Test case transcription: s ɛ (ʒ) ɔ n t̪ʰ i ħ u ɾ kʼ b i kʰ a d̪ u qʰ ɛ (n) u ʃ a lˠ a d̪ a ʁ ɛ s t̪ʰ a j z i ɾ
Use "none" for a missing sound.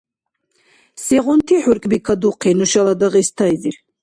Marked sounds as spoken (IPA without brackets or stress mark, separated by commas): ʁ, n